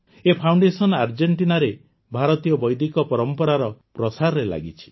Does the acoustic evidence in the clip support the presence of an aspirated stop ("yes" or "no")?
yes